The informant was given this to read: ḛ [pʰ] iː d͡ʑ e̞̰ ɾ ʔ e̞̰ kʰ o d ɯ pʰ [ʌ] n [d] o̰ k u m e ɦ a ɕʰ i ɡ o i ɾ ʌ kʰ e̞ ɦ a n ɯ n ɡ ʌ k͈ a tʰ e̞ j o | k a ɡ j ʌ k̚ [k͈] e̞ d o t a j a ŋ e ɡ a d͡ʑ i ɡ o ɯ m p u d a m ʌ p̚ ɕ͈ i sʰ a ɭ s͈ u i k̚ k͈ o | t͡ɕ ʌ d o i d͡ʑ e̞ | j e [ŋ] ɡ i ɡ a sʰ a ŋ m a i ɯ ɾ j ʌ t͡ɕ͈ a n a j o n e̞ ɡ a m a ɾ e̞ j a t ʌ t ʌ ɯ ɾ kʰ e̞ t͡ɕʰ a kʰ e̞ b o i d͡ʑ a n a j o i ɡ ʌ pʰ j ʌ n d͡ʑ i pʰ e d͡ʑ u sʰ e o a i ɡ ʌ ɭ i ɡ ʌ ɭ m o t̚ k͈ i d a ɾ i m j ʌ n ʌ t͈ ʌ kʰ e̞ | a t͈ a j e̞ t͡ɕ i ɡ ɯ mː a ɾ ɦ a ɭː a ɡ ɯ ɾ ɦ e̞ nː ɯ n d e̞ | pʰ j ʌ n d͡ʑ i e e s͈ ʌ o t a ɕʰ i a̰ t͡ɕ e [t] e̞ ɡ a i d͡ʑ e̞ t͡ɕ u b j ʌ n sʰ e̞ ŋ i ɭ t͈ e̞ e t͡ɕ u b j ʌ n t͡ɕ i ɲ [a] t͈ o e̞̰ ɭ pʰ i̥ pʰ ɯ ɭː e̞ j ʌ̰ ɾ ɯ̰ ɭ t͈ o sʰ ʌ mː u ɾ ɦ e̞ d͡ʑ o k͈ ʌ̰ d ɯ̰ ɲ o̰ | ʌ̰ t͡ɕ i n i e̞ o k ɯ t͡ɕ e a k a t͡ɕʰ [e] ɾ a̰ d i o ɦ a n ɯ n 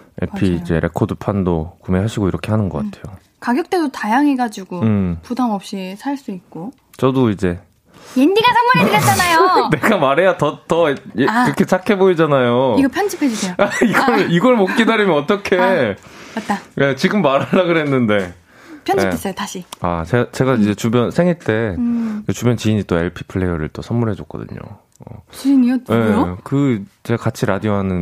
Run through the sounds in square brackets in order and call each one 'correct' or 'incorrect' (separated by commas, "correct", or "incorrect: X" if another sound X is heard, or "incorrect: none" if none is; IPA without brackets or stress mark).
correct, incorrect: a, correct, incorrect: t͈, incorrect: n, incorrect: t͡ɕ, incorrect: i, incorrect: i